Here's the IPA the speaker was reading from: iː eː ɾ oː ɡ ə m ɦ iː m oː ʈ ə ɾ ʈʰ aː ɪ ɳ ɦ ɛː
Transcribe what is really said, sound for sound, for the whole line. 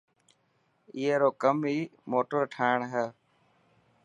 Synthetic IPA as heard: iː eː ɾ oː k ə m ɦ iː m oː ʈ ə ɾ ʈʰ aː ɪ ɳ ɦ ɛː